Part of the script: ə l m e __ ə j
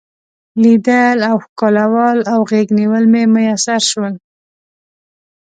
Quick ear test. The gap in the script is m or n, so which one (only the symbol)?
m